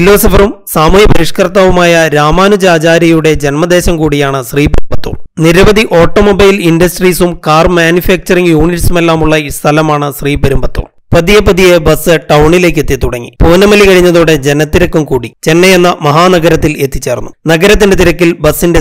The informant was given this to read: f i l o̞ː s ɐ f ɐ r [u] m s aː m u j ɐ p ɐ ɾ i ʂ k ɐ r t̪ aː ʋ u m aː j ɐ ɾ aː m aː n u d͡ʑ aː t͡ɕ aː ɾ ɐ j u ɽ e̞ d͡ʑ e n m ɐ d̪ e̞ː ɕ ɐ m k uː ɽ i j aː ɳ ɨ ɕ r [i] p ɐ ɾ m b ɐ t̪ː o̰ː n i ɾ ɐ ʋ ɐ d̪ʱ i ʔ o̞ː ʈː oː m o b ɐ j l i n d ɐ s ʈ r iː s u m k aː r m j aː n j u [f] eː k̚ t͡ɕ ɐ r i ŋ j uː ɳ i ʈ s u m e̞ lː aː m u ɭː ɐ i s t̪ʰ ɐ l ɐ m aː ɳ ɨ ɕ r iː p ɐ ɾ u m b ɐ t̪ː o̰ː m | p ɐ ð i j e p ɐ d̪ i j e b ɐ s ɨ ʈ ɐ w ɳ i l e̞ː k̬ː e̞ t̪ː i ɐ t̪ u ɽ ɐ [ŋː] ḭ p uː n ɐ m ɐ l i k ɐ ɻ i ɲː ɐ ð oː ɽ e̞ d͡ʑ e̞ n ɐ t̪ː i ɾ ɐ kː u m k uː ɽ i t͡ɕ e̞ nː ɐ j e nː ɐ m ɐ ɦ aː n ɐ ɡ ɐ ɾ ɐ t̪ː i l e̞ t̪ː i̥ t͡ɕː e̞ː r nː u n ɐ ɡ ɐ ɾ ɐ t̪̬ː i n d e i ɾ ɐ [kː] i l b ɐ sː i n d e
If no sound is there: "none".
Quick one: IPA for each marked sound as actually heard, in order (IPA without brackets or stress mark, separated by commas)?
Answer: u, iː, f, ŋː, kː